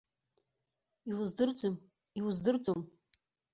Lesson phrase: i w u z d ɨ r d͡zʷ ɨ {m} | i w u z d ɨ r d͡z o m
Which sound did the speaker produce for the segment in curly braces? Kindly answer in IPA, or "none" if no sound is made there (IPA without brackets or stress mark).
m